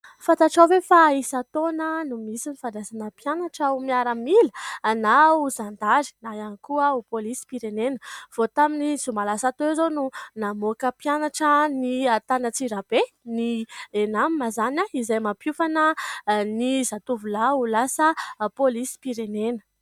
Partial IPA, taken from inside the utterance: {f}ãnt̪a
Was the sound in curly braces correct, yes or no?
yes